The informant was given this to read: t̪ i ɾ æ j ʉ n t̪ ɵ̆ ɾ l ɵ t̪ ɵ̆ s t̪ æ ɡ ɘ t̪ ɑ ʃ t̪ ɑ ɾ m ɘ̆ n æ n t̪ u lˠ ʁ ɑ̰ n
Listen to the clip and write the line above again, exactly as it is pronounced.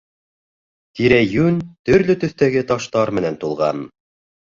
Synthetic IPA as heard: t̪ i ɾ æ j ʉ n t̪ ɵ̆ ɾ l ɵ t̪ ɵ̆ θ t̪ æ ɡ ɘ t̪ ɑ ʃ t̪ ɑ ɾ m ɘ̆ n æ n t̪ u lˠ ʁ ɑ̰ n